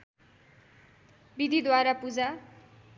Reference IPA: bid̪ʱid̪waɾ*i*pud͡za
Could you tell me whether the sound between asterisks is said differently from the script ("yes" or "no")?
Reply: yes